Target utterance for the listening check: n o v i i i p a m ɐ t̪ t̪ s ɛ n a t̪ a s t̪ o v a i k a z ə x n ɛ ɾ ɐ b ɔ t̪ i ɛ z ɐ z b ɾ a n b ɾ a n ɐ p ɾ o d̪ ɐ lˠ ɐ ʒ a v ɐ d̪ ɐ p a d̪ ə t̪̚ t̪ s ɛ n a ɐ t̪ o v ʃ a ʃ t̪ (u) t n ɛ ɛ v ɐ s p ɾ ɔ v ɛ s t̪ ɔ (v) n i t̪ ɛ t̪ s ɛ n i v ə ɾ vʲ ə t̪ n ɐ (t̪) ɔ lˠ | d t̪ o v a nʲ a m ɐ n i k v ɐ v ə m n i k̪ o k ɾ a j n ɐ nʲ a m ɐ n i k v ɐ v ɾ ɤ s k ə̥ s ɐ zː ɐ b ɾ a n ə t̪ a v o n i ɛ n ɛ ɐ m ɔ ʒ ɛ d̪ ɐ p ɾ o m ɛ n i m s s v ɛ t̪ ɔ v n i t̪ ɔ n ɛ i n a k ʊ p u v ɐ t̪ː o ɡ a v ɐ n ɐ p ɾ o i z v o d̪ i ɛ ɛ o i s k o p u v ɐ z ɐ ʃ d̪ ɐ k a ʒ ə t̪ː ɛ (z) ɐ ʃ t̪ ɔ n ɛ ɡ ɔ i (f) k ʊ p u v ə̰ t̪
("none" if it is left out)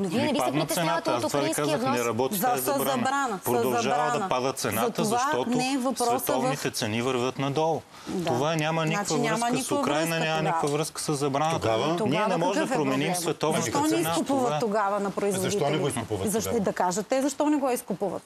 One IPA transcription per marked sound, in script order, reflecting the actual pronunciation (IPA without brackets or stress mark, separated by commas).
ɔ, v, d̪, z, s